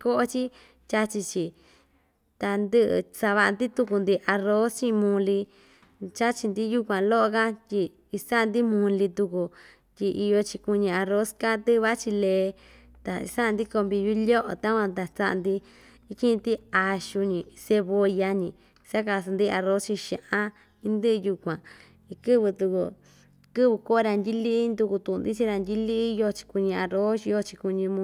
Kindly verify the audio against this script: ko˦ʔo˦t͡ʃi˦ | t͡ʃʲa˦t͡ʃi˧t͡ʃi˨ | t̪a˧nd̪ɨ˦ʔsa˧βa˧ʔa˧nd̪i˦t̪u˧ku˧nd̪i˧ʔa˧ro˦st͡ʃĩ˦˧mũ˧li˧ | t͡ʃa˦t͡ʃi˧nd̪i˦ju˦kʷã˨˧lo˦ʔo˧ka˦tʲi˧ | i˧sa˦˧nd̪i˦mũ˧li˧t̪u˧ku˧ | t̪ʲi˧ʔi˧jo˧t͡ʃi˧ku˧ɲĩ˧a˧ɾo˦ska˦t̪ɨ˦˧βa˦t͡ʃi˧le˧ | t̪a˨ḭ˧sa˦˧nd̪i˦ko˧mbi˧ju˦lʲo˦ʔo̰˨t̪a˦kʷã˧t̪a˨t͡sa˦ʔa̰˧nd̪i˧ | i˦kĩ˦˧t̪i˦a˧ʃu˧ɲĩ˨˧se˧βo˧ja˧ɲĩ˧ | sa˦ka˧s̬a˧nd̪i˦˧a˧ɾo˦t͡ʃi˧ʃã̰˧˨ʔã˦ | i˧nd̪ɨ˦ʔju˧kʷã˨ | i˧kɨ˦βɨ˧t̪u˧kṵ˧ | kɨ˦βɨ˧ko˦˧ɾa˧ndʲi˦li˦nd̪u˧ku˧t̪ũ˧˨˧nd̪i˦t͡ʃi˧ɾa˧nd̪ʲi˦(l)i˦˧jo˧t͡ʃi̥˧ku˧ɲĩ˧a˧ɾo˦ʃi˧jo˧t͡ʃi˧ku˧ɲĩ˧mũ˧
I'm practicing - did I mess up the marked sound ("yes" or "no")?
no